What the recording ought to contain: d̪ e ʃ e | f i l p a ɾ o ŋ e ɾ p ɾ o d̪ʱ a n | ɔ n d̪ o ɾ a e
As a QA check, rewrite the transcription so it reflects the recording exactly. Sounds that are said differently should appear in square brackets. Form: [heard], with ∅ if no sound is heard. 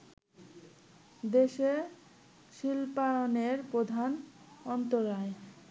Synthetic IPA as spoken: d̪ e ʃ e | [ʃ] i l p a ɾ o [n] e ɾ p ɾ o d̪ʱ a n | ɔ n [t̪] o ɾ a e